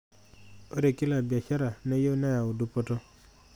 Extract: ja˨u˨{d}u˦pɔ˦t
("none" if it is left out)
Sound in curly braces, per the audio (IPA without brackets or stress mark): d